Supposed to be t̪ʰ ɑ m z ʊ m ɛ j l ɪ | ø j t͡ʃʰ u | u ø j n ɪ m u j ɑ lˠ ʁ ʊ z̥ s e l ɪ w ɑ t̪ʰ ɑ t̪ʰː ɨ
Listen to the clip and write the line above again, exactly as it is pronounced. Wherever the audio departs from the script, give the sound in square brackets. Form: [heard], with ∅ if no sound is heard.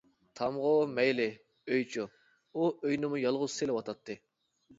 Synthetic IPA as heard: t̪ʰ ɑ m [ʁ] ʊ m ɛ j l ɪ | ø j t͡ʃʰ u | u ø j n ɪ m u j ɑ lˠ ʁ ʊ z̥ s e l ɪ w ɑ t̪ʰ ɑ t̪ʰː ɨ